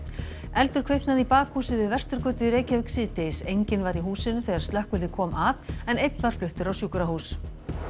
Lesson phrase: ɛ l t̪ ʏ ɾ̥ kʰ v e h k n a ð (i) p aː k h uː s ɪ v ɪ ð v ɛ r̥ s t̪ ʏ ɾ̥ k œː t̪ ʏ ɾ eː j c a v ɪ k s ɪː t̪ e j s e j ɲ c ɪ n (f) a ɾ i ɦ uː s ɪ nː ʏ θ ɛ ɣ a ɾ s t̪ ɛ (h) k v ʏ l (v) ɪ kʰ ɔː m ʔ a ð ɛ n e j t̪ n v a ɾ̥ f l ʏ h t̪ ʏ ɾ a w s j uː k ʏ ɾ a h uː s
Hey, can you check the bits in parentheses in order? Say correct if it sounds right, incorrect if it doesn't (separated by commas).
correct, incorrect, correct, incorrect